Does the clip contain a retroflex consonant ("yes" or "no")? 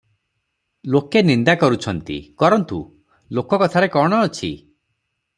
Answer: yes